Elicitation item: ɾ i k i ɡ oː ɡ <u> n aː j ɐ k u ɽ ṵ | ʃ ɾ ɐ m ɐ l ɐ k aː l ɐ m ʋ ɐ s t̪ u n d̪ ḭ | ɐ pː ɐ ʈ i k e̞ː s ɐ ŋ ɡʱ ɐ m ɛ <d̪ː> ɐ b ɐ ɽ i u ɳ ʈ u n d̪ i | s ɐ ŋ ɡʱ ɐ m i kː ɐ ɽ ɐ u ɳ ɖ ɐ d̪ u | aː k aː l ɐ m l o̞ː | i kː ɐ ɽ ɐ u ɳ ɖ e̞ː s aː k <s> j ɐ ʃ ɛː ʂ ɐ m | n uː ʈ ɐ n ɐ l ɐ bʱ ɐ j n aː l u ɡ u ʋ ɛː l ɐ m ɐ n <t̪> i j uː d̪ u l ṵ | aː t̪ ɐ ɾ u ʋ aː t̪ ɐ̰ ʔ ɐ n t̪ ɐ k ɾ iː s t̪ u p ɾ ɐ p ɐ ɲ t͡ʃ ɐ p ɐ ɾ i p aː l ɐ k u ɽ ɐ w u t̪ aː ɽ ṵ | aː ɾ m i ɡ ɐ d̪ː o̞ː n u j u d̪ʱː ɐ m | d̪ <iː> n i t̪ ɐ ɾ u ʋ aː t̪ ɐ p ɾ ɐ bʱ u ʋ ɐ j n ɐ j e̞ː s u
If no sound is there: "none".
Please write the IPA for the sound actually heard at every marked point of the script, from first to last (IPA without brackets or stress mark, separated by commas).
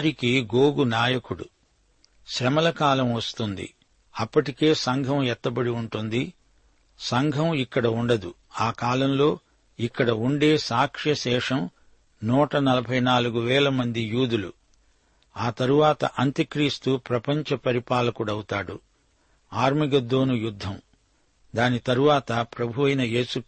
u, t̪ː, ʂ, d̪, aː